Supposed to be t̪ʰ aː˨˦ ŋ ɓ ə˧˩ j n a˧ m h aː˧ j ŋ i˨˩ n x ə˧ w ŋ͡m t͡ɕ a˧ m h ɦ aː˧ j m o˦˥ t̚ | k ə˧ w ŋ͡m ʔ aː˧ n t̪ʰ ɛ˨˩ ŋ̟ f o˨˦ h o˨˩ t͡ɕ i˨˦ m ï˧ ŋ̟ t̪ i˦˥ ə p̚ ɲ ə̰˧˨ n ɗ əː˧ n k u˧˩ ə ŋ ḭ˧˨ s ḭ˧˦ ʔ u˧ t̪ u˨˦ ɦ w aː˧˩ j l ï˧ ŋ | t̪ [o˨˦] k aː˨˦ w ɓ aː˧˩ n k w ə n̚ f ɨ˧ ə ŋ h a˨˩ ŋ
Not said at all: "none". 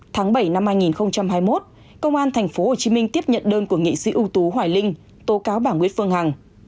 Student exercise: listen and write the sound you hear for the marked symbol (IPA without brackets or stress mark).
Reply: o˨˦